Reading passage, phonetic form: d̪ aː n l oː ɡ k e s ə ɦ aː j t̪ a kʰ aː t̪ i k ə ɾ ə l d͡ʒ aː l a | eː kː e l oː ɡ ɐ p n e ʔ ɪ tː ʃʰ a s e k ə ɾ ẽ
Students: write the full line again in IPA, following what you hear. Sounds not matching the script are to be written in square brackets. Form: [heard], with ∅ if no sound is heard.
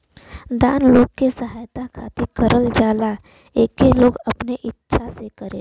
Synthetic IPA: d̪ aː n l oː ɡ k e s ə ɦ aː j t̪ a kʰ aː t̪ i k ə ɾ ə l d͡ʒ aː l a | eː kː e l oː ɡ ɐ p n e ʔ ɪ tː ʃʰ a s e k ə ɾ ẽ